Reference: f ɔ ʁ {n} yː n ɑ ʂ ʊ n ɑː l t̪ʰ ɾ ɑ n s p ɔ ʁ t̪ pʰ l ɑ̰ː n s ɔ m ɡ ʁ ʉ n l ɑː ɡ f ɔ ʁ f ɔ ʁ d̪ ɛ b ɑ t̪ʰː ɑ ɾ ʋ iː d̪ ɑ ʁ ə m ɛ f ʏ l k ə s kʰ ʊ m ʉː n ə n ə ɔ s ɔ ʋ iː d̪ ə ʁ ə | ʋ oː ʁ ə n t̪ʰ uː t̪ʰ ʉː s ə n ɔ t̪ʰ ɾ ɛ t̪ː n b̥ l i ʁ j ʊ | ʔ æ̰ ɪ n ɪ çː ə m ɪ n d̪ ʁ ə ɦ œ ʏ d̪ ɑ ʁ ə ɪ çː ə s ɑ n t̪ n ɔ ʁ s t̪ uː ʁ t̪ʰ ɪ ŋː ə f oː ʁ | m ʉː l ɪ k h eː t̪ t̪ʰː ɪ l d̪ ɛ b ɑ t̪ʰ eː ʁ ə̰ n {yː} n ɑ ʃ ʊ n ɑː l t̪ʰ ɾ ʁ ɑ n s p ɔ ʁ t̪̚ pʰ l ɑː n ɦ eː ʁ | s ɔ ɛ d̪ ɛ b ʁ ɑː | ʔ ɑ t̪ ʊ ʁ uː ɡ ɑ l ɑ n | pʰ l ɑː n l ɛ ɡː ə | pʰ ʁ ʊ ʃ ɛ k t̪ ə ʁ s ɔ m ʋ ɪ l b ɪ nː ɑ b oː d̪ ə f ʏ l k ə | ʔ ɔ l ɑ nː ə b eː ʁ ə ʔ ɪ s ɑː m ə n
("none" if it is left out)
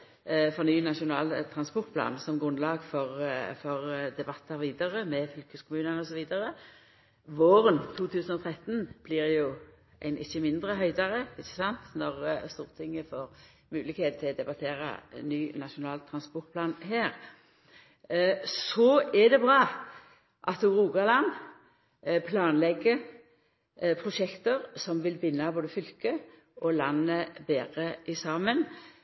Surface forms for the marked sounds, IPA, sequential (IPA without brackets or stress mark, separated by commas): n, yː